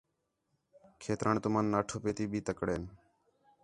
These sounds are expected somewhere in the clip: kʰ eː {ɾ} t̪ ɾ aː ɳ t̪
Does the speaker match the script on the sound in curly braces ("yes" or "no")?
no